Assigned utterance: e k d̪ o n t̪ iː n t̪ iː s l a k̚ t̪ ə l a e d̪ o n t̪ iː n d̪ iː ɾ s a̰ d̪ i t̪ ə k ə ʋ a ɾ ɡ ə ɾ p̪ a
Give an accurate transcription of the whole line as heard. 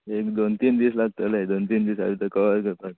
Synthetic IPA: e k d̪ o n t̪ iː n d̪ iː s l a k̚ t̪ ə l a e d̪ o n t̪ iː n d̪ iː s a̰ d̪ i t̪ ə k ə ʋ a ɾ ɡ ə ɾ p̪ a